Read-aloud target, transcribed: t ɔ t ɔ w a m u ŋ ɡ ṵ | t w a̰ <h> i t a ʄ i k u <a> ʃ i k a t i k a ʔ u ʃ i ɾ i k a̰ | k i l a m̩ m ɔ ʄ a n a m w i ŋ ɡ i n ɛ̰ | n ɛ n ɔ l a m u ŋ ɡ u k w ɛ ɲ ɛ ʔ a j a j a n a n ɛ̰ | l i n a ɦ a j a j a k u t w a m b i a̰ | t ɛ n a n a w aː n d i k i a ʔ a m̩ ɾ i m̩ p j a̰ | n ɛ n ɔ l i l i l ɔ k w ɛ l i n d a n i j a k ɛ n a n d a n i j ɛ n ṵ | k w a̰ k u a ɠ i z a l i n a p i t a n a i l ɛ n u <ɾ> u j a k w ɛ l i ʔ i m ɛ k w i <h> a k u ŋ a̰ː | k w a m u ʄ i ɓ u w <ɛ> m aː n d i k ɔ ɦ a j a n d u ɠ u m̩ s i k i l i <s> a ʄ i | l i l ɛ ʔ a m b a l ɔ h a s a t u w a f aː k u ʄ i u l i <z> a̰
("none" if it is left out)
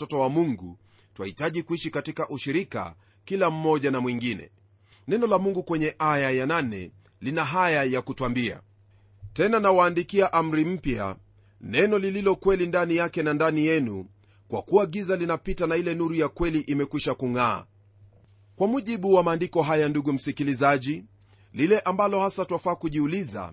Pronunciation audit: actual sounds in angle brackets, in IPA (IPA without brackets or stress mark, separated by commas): h, i, ɾ, ʃ, a, z, z